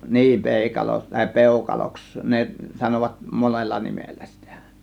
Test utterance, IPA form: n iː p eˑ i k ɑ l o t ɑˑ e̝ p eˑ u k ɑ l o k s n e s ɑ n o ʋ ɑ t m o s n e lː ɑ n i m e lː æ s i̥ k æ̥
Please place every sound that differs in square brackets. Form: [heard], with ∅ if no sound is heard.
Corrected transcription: n iː p eˑ i k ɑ l o t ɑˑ e̝ p eˑ u k ɑ l o k s n e s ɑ n o ʋ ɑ t m o [∅] n e lː ɑ n i m e lː æ s i̥ [t] æ̥